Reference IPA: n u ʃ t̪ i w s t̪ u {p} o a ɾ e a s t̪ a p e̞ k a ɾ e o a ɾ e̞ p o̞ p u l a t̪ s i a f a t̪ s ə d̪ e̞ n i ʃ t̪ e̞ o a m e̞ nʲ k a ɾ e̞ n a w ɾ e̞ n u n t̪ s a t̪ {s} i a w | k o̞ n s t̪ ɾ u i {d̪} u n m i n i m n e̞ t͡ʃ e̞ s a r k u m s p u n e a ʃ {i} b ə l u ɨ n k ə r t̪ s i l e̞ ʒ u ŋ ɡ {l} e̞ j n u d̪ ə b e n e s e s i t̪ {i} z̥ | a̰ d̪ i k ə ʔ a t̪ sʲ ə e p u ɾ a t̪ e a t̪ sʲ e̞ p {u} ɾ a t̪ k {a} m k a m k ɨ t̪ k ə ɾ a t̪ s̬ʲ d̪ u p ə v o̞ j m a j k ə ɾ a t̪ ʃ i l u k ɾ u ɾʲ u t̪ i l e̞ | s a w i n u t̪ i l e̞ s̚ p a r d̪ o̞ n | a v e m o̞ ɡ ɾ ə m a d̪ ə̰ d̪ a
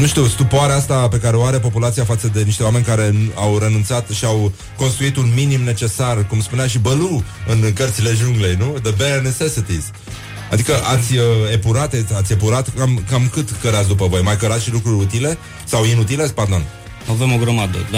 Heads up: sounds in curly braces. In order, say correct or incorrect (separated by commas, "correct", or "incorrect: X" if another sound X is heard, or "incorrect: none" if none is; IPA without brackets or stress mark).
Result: correct, incorrect: ʃ, incorrect: t̪, correct, correct, correct, correct, correct